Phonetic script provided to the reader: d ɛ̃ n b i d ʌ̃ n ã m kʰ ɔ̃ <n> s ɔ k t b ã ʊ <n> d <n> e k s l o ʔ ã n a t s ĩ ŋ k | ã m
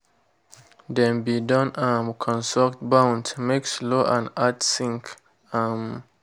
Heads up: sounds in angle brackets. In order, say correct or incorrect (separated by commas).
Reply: correct, correct, incorrect